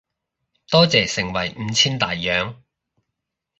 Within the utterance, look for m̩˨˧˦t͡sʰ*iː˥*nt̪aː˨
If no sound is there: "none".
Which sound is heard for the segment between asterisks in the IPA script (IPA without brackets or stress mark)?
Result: iː˥